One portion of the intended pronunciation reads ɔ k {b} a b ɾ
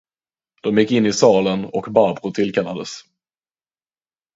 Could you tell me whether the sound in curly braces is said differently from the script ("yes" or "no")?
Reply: no